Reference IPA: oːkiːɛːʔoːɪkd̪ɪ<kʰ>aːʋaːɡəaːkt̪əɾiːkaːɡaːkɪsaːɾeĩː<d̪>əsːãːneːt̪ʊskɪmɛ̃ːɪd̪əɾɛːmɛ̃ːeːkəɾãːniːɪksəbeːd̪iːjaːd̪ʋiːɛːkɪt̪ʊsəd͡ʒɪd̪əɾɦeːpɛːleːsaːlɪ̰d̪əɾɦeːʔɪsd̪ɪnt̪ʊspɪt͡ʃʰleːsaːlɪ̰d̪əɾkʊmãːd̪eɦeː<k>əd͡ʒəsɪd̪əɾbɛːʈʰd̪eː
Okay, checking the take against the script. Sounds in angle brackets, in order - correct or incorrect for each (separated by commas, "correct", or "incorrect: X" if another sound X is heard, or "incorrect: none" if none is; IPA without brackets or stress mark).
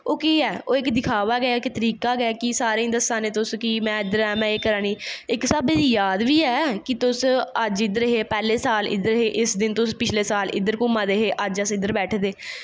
correct, correct, incorrect: ʔ